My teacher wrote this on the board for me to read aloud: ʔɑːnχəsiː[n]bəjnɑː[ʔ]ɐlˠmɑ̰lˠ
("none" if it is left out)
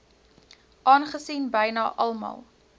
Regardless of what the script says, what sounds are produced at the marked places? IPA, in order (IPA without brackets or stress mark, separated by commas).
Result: n, ʔ